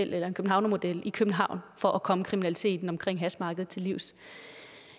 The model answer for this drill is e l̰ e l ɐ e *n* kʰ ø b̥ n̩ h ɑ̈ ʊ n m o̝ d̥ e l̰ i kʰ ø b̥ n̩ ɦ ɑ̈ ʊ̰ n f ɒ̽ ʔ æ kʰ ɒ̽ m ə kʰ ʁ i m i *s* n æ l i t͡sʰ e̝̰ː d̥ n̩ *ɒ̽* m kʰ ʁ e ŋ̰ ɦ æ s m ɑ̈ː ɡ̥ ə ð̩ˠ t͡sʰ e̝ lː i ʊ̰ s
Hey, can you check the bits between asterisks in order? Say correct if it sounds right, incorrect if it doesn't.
correct, incorrect: none, correct

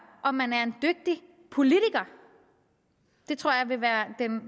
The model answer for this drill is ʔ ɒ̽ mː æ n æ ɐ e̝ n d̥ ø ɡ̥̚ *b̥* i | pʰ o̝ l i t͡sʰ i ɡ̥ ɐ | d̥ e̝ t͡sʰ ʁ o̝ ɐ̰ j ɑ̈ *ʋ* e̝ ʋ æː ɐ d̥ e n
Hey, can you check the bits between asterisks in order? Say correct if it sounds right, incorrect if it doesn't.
incorrect: d̥, correct

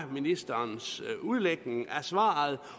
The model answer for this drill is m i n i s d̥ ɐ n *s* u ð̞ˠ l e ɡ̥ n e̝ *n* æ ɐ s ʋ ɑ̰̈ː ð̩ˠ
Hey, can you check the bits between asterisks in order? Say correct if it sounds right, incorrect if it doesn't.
correct, incorrect: ŋ

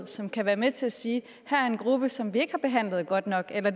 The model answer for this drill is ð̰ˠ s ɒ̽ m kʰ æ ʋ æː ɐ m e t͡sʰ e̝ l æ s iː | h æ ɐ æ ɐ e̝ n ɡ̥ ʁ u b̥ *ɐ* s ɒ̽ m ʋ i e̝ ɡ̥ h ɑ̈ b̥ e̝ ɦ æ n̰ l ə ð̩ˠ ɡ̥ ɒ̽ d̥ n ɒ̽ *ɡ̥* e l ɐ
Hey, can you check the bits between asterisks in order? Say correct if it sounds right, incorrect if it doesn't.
incorrect: ə, correct

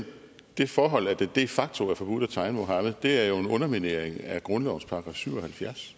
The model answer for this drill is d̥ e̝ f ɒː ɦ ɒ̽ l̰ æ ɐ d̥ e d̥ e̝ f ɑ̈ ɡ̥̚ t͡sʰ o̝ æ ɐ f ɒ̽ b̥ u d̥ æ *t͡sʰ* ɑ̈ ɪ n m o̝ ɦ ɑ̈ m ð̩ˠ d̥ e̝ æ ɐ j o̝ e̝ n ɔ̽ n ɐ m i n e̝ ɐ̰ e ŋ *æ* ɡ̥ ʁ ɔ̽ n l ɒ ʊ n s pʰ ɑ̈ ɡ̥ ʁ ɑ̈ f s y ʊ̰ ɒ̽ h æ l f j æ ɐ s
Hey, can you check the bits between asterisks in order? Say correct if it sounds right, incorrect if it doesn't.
correct, correct

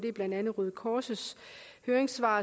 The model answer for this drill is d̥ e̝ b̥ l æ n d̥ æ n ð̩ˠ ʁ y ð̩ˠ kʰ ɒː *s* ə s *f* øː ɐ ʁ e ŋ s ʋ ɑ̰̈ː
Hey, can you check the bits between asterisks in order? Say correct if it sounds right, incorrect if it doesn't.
correct, incorrect: h

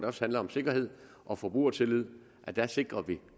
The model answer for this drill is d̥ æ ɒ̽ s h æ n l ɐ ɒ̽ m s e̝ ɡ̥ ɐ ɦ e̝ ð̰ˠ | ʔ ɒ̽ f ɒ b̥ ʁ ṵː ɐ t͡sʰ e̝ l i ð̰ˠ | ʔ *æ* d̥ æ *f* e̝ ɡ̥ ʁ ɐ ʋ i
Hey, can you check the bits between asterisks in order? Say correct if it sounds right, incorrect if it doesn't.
correct, incorrect: s

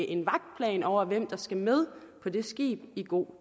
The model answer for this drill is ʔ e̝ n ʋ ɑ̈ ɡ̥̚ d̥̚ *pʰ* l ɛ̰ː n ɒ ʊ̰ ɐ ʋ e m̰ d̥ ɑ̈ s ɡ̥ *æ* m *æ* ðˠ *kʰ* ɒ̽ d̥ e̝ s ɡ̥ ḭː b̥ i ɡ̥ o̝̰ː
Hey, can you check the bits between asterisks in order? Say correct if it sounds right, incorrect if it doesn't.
correct, correct, incorrect: e, incorrect: pʰ

